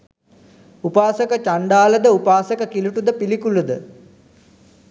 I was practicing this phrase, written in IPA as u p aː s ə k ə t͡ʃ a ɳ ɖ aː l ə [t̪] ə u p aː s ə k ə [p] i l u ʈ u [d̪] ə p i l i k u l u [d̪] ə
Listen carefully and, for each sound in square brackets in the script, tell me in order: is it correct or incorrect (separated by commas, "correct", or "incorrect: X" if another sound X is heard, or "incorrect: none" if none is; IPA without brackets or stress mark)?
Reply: incorrect: d̪, incorrect: k, correct, correct